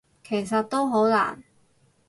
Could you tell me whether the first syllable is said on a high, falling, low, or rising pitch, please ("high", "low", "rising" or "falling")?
low